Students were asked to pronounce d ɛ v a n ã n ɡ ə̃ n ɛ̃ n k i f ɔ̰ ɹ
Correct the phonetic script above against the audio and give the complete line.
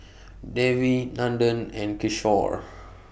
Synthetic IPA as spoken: d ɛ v i n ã n d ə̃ n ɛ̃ n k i ʃ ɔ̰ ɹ

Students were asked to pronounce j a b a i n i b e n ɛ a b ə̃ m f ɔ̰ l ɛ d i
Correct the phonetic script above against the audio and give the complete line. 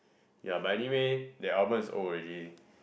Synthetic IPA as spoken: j a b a ɛ n i w e d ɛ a b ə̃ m s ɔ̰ ɹ ɛ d i

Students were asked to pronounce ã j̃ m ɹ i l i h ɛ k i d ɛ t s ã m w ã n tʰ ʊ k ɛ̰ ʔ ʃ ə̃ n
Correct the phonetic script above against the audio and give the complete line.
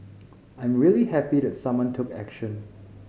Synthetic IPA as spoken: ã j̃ m ɹ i l i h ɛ p i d ɛ t s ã m w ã n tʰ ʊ k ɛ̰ k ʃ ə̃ n

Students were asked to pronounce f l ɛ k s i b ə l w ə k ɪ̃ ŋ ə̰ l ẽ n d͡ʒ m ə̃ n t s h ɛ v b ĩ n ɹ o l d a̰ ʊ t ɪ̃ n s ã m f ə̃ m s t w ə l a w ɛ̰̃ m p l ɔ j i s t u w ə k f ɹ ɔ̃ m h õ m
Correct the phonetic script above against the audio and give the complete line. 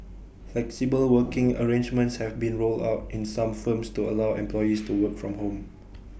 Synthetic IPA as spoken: f l ɛ k s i b ə l w ə k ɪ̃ ŋ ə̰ ɹ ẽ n d͡ʒ m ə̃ n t s h ɛ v b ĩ n ɹ o l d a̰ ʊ t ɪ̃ n s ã m f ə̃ m s t u ə l a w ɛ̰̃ m p l ɔ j i s t u w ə k f ɹ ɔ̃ m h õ m

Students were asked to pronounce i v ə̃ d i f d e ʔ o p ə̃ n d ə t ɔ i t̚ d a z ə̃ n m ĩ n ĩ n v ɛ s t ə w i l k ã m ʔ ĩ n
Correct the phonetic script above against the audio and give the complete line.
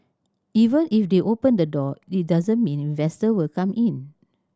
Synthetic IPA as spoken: i v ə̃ n i f d e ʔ o p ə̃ n d ə d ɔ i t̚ d a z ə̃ n m ĩ n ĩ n v ɛ s t ə w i l k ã m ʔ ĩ n

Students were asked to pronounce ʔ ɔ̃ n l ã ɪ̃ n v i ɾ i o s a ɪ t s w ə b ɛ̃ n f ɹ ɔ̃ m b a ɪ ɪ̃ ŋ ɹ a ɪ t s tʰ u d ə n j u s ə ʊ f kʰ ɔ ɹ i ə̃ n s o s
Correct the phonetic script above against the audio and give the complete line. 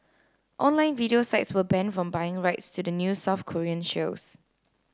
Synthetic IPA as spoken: ʔ ɔ̃ n l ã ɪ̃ n v i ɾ i o s a ɪ t s w ə b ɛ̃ n f ɹ ɔ̃ m b a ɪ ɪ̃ ŋ ɹ a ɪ t s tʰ u d ə n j u s a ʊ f kʰ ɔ ɹ i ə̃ n ʃ o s

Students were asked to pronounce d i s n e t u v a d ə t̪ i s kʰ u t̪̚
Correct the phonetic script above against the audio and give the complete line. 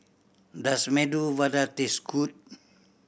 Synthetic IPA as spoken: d a s m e d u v a d a t̪ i s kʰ u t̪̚

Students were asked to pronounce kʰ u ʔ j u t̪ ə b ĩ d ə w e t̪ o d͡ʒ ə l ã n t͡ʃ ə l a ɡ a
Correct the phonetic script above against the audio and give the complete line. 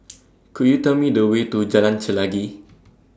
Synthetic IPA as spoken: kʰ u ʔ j u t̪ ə m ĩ d ə w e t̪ u d͡ʒ a l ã n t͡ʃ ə l a ɡ i

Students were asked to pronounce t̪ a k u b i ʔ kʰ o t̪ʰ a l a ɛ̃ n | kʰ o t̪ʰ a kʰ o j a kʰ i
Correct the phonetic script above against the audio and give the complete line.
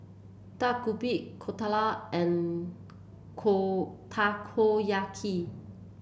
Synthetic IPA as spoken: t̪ a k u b i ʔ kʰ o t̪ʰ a l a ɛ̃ n | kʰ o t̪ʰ a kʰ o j a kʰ i

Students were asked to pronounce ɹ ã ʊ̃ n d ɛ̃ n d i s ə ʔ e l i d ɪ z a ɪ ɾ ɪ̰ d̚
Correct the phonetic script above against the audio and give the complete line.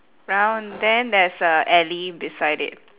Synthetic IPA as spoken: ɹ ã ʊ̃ n d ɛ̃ n d ɛ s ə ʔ ɛ l i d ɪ s a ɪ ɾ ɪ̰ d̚

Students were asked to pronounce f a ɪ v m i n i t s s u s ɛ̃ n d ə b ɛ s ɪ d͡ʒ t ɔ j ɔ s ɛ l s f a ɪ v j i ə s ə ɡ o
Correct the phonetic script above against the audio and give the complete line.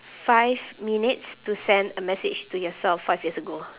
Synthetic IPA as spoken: f a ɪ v m i n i t s t u s ɛ̃ n d ə m ɛ s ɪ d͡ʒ t u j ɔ s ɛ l f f a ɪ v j i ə s ə ɡ o

